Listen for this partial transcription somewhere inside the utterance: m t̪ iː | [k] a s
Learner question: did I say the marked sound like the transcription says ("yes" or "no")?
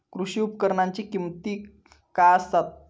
yes